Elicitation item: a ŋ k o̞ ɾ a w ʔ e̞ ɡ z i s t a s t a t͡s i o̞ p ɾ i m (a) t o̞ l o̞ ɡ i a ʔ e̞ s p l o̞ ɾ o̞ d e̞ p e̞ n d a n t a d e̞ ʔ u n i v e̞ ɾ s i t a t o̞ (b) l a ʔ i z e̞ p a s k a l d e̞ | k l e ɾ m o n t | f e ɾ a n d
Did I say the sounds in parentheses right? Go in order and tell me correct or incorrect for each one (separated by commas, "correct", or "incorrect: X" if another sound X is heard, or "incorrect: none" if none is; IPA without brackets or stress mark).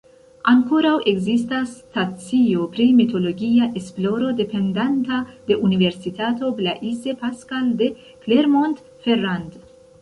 incorrect: i, correct